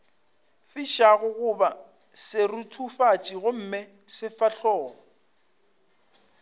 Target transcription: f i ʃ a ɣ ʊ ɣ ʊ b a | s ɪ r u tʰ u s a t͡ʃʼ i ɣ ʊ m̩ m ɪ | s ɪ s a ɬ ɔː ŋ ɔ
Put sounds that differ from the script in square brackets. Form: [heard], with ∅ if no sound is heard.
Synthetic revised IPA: f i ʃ a ɣ ʊ ɣ ʊ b a | s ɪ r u tʰ u [f] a t͡ʃʼ i ɣ ʊ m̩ m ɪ | s ɪ [f] a ɬ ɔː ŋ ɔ